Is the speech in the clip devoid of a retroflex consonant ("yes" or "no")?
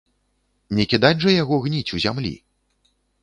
no